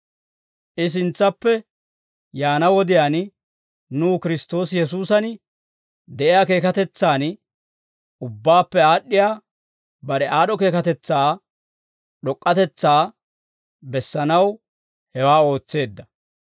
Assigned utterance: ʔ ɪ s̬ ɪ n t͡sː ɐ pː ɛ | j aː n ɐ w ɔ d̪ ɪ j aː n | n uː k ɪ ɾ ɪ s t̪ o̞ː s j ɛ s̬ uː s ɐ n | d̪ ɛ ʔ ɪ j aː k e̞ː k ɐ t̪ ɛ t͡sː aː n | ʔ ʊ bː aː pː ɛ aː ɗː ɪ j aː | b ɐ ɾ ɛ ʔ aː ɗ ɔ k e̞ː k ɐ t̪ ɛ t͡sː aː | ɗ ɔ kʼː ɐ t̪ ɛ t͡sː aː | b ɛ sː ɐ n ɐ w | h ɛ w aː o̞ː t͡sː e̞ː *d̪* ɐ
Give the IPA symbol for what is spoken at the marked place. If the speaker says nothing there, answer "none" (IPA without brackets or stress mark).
d̪ː